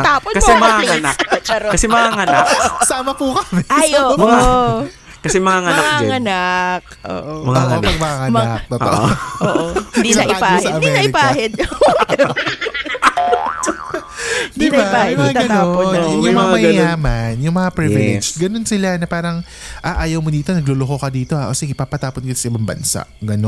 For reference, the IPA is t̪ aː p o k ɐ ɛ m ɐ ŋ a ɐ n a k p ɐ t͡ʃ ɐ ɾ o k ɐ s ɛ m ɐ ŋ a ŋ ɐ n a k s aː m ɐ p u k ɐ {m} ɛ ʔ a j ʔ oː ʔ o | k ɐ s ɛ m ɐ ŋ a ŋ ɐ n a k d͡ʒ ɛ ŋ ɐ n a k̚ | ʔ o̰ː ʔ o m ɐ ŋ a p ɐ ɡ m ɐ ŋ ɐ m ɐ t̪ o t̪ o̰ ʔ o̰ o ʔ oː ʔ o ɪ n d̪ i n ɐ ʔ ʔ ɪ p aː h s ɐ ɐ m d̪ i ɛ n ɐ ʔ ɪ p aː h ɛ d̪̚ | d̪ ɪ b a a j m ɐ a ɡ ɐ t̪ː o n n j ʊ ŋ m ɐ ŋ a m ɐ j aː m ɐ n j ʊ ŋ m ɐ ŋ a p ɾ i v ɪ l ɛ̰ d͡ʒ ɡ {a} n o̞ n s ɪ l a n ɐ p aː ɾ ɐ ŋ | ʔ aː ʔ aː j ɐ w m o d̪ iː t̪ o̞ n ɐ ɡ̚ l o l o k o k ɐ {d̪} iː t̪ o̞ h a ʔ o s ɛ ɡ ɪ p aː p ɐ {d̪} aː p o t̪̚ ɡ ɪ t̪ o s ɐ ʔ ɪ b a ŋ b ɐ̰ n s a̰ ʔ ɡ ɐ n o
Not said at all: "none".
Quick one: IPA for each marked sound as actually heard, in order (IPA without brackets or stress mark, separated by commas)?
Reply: m, ɐ, d̪, t̪